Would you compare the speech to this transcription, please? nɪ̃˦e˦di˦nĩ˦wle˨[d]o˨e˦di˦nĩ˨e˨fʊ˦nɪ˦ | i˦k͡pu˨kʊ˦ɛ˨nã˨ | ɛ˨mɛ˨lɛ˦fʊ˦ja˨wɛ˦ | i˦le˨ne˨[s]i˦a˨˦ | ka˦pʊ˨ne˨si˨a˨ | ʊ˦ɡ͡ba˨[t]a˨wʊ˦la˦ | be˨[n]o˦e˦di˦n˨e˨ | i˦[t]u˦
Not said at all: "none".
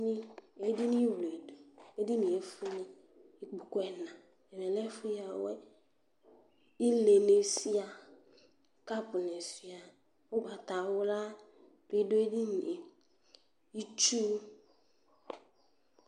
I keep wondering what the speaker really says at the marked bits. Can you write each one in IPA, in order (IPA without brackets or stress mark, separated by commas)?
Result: d, s, t, d, t͡ʃ